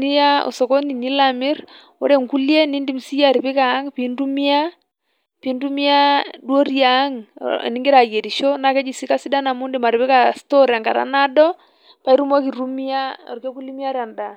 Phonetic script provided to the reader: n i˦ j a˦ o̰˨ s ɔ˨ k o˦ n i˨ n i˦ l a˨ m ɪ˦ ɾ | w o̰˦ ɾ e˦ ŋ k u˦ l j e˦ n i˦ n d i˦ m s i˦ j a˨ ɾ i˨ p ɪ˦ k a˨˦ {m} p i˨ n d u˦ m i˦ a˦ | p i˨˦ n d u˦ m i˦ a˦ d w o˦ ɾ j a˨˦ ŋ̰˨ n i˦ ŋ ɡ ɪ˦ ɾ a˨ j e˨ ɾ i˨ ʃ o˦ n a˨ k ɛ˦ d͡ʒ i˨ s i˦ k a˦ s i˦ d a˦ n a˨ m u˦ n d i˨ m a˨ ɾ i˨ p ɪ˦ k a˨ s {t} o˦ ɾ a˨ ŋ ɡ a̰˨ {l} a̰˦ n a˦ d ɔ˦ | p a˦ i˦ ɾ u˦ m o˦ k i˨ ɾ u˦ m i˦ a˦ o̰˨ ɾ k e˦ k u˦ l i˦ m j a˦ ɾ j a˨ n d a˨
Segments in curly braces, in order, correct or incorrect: incorrect: ŋ, correct, incorrect: ɾ

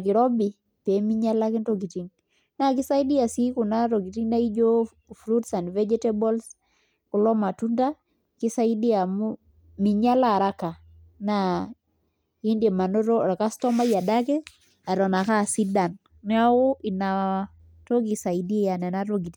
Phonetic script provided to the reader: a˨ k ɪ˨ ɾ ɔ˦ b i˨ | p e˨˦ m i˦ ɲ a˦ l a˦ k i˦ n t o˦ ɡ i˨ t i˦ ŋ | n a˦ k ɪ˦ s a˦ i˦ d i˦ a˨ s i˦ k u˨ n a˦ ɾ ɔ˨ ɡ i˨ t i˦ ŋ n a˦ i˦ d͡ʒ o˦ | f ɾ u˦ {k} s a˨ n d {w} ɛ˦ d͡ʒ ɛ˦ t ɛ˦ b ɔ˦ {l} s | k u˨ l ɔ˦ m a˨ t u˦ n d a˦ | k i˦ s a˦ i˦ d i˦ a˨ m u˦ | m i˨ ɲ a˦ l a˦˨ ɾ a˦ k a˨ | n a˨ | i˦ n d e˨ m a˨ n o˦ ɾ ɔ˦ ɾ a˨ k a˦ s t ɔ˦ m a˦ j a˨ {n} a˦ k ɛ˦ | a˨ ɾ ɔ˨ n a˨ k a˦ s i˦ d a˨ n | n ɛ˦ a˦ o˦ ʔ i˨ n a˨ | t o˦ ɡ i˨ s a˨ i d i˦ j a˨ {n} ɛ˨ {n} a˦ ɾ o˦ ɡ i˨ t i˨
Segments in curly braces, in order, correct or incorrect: incorrect: t, incorrect: v, correct, incorrect: d, correct, correct

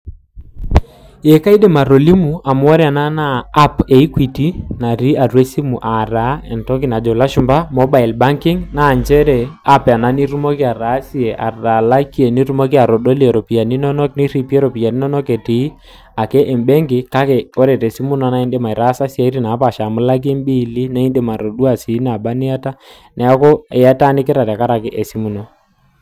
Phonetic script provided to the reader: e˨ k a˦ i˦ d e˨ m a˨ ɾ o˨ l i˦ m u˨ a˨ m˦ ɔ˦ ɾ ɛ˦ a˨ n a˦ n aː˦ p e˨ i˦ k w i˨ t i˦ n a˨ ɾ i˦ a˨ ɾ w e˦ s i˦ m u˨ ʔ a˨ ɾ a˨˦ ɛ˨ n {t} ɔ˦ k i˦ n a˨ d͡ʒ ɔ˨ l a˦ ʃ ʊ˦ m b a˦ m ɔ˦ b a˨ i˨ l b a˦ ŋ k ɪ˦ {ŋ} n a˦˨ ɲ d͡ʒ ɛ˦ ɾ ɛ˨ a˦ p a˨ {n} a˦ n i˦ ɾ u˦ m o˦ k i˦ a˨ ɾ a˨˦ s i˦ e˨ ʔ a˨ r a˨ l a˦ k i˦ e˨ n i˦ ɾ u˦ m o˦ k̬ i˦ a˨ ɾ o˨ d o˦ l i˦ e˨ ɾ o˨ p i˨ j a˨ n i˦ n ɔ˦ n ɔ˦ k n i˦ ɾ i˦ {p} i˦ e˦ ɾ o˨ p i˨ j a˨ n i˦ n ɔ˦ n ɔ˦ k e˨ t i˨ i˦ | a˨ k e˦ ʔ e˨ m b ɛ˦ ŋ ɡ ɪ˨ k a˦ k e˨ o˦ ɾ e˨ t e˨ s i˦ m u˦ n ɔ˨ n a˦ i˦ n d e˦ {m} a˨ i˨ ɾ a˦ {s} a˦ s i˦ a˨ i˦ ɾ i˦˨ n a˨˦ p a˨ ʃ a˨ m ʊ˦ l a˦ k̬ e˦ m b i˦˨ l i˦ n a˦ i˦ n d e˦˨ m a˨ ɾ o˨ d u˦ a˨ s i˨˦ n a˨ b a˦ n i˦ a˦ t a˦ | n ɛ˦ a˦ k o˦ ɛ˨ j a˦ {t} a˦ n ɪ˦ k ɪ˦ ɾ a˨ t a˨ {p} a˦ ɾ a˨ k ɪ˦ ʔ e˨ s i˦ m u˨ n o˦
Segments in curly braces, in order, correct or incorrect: correct, correct, correct, correct, correct, correct, correct, incorrect: k

